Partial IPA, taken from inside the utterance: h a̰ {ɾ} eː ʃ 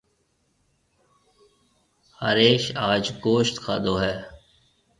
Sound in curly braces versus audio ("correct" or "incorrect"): correct